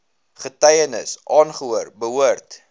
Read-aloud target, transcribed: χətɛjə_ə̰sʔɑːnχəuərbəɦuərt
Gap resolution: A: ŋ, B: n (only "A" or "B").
B